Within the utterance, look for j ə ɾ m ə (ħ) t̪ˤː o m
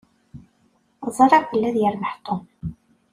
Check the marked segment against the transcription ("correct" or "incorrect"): correct